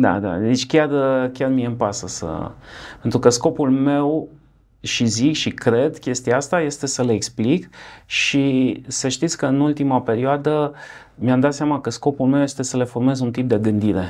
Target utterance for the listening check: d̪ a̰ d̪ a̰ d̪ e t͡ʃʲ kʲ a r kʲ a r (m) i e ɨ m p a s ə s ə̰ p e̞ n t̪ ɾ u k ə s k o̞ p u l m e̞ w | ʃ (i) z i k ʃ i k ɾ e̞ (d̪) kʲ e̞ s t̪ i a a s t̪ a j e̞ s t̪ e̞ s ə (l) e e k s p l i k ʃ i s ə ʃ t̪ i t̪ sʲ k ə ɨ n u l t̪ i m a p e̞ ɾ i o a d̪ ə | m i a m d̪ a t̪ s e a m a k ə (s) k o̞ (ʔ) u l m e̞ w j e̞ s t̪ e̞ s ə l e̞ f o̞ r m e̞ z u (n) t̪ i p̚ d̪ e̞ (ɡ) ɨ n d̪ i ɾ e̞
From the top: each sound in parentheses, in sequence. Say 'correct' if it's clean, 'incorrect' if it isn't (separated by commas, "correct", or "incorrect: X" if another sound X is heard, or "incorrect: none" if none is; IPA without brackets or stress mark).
correct, correct, correct, correct, correct, incorrect: p, correct, correct